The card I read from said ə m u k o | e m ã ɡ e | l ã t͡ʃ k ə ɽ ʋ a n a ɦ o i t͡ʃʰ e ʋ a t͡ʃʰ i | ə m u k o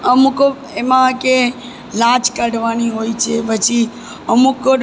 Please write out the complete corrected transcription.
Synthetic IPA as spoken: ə m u k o | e m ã k e | l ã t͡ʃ k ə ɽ ʋ a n i ɦ o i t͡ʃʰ e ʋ ə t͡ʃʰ i | ə m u k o